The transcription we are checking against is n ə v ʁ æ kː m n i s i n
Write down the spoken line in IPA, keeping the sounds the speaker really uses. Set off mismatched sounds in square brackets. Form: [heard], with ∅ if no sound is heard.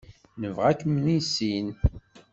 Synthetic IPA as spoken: n ə v ʁ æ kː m n i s i n